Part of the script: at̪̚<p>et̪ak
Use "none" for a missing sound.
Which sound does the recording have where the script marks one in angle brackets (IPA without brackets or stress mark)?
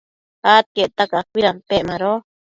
k